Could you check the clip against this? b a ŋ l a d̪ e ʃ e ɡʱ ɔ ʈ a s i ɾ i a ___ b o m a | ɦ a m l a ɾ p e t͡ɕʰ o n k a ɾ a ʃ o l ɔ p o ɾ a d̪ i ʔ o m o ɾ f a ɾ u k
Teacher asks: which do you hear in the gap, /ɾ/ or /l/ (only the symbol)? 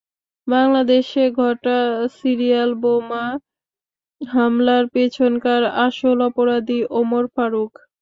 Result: l